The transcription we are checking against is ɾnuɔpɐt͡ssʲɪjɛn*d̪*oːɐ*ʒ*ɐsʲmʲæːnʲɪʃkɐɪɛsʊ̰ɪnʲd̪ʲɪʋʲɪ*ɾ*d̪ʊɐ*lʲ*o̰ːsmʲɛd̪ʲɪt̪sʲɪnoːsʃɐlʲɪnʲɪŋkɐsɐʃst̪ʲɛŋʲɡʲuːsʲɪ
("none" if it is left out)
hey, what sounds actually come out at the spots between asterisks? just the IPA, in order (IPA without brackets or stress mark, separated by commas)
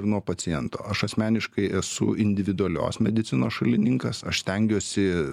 t̪, ʃ, none, lʲ